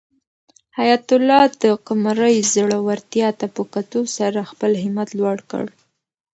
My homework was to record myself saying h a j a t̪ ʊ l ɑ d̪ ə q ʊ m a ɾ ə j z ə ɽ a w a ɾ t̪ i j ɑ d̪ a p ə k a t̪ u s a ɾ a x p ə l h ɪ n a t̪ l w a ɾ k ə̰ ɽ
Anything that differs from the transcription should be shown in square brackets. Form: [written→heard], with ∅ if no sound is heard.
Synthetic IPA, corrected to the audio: h a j a t̪ ʊ l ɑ d̪ ə q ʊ m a ɾ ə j z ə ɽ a w a ɾ t̪ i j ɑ [d̪→t̪] a p ə k a t̪ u s a ɾ a x p ə l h ɪ [n→m] a t̪ l w a [ɾ→ɽ] k ə̰ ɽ